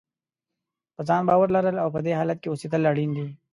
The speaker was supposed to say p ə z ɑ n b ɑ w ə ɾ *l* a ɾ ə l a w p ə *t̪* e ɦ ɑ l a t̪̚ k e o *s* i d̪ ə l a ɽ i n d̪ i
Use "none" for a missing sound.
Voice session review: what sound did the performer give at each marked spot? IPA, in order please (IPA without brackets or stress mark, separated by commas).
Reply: l, d̪, s